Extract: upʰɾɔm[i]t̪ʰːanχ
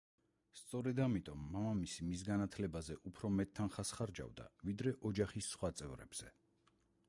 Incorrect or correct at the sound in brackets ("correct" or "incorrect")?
incorrect